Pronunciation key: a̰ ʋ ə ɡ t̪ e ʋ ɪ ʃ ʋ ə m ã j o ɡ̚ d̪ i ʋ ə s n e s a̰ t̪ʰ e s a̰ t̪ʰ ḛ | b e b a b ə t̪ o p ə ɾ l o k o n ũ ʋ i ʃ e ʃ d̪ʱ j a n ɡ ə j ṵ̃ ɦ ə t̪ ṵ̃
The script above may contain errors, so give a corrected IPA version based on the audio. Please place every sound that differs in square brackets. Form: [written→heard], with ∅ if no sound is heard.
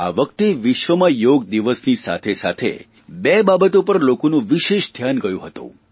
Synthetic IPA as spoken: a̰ ʋ ə [ɡ→k] t̪ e ʋ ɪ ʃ ʋ ə m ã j o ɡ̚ d̪ i ʋ ə s n [e→i] s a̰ t̪ʰ e s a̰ t̪ʰ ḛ | b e b a b ə t̪ o p ə ɾ l o k o n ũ ʋ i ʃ e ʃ d̪ʱ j a n ɡ ə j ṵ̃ ɦ ə t̪ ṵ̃